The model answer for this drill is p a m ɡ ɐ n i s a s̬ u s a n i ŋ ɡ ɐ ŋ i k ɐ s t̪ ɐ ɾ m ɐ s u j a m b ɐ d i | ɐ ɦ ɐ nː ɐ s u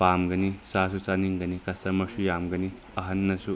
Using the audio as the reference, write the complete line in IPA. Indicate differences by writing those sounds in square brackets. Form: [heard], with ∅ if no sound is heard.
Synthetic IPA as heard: p a m ɡ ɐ n i s a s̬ u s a n i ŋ ɡ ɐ [n] i k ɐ s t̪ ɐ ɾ m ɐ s u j a m [ɡ] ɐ [n] i | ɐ ɦ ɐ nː ɐ s u